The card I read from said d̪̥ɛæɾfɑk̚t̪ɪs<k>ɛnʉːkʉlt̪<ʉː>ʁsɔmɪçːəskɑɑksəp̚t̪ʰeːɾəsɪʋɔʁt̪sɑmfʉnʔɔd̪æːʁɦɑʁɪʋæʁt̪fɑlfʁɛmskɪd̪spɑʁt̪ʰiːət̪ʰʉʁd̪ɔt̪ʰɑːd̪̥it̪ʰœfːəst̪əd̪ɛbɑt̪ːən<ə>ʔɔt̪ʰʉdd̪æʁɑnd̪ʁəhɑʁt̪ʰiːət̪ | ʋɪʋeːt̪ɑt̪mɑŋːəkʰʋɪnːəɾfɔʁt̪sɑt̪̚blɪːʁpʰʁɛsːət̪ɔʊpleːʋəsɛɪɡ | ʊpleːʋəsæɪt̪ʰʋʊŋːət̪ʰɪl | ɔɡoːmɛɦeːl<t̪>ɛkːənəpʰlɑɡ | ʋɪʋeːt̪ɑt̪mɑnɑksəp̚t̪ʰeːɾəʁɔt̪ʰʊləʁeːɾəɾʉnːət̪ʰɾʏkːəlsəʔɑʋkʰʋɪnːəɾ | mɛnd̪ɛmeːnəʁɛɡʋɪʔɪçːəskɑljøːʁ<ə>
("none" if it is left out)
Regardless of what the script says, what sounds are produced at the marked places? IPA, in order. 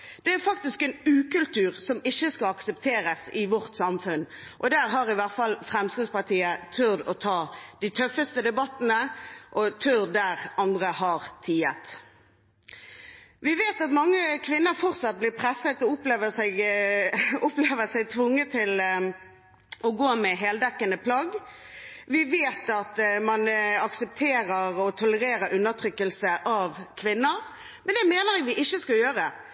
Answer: k, ʉː, ə, d̪, ə

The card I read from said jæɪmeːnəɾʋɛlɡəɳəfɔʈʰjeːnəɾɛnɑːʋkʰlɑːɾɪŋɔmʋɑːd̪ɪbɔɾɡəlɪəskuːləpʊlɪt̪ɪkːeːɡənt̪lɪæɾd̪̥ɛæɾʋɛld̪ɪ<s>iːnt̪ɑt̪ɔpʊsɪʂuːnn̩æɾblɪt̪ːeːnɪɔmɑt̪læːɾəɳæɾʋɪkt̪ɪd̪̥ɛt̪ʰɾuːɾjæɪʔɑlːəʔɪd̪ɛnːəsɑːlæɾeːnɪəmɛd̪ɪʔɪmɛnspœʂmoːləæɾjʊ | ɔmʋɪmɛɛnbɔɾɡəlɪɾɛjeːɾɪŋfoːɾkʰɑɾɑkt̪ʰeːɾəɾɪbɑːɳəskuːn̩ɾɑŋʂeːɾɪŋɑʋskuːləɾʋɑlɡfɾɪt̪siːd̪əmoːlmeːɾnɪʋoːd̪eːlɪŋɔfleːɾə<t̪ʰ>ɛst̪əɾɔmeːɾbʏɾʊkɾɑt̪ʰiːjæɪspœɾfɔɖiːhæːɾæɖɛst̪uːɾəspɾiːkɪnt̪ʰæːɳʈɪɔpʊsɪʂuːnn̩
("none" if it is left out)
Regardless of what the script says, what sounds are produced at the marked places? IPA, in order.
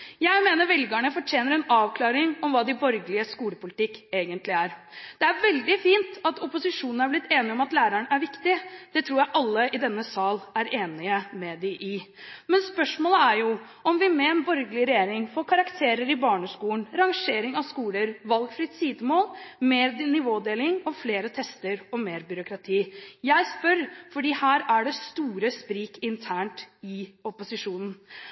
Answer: f, t̪ʰ

